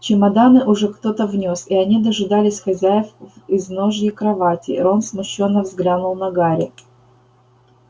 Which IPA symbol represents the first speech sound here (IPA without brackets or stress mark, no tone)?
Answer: t͡ɕ